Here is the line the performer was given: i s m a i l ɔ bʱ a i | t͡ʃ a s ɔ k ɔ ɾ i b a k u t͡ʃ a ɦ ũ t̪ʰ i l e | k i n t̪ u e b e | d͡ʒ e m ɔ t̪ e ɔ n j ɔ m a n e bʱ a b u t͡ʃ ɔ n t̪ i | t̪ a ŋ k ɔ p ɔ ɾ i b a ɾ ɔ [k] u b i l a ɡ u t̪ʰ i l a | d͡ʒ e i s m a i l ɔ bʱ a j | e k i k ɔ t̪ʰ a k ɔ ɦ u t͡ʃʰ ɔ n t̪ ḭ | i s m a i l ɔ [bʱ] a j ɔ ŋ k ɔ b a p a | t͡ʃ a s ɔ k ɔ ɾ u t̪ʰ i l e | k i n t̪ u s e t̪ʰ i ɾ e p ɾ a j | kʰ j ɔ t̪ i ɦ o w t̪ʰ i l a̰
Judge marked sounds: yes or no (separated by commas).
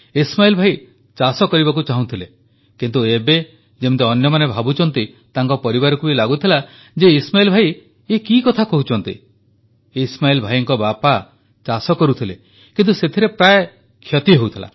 yes, yes